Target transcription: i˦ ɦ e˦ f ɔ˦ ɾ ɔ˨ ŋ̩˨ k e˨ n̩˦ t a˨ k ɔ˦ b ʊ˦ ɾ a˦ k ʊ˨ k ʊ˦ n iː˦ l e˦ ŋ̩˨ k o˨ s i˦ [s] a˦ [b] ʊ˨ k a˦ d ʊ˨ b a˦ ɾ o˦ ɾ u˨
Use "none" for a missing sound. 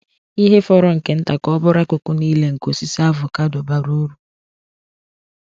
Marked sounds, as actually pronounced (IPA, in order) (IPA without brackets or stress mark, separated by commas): s, v